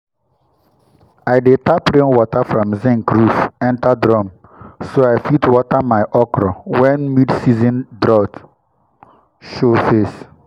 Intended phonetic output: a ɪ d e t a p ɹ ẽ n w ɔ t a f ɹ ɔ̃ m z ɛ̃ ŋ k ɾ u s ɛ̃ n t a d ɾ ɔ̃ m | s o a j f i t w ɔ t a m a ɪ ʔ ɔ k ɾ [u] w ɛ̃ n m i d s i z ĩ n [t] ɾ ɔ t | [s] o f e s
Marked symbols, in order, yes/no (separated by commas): no, no, no